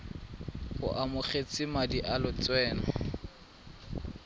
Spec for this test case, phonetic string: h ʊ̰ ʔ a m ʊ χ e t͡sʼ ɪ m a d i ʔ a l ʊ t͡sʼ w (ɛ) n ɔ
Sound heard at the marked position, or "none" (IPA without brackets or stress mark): ɛː